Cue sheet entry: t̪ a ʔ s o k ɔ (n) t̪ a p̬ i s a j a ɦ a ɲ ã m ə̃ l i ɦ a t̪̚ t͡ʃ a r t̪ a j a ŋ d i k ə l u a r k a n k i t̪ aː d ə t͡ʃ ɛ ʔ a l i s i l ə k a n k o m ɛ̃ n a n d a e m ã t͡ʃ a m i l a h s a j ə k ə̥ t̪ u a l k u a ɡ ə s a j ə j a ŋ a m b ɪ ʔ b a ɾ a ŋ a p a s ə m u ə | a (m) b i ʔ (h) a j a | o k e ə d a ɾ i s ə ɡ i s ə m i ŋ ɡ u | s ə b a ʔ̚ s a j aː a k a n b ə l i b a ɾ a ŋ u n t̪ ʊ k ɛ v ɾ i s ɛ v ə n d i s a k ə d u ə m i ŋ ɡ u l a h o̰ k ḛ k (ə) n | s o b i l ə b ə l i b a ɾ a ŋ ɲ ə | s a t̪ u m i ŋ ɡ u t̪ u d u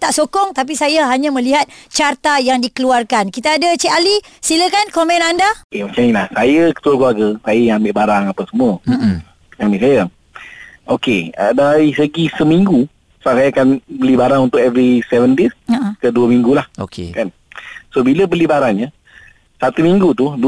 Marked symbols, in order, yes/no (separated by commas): no, yes, no, no